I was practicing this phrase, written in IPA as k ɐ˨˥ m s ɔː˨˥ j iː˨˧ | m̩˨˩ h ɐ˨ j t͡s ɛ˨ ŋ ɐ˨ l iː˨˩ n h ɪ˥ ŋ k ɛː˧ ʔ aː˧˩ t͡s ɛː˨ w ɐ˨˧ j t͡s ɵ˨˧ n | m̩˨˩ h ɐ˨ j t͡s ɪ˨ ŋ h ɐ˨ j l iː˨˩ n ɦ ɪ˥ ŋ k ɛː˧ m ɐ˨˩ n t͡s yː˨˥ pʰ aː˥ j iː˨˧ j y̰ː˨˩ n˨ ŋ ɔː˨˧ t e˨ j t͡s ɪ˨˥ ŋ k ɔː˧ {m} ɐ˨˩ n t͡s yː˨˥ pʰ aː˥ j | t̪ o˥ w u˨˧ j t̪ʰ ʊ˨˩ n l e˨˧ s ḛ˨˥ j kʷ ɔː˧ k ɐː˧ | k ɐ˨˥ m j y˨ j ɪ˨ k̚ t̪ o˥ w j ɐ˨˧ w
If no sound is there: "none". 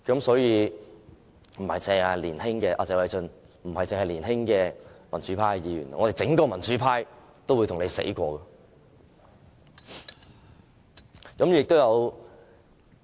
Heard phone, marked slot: m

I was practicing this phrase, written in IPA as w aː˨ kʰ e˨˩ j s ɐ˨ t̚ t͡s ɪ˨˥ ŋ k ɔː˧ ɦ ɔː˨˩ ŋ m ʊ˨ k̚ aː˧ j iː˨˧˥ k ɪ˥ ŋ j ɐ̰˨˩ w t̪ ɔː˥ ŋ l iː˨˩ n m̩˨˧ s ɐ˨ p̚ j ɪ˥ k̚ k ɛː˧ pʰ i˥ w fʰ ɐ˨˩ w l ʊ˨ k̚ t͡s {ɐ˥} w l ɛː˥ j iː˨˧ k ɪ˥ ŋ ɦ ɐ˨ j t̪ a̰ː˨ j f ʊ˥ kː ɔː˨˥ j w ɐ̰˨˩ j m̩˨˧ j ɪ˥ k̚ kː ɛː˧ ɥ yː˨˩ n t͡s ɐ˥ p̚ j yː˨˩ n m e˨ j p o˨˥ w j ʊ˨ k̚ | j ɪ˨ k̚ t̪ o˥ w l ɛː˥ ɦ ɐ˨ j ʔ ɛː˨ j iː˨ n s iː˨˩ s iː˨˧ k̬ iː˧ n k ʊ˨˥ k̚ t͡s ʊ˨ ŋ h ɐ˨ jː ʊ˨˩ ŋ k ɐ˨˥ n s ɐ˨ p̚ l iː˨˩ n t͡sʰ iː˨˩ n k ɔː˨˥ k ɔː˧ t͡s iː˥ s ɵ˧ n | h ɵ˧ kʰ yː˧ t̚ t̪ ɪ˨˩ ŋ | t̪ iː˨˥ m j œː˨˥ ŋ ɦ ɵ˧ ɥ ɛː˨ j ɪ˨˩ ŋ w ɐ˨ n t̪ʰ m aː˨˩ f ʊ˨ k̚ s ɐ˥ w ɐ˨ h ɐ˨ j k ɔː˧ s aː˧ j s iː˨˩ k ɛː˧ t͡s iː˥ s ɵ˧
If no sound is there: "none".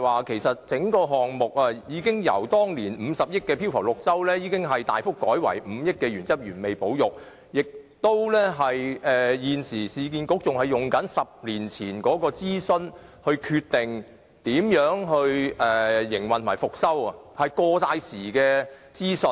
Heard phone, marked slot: ɐ˥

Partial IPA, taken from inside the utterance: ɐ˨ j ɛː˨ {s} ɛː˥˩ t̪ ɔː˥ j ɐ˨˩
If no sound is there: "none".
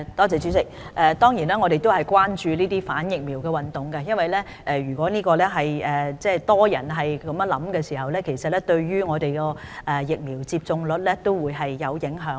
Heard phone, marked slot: t͡s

